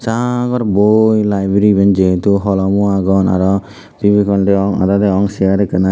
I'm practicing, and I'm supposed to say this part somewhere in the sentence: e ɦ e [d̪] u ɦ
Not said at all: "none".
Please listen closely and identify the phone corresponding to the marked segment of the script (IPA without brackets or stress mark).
t̪